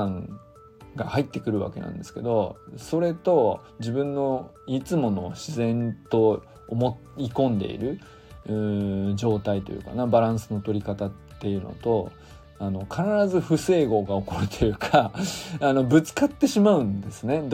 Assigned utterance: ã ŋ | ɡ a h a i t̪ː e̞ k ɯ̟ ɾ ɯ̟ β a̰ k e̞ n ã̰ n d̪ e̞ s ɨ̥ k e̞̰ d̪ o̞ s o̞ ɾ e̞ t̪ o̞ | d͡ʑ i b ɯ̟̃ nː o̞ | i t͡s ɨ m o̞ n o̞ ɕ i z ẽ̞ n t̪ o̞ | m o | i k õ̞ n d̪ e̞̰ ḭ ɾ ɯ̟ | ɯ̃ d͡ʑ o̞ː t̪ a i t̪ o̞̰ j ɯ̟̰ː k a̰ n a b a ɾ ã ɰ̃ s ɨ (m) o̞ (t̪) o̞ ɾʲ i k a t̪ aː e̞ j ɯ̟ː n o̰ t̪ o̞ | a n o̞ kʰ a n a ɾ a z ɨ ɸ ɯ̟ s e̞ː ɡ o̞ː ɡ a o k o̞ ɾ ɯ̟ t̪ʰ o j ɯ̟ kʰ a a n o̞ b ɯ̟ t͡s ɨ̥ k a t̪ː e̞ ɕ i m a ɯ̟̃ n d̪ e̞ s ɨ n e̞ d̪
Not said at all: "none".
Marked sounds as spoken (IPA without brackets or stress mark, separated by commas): n, t̪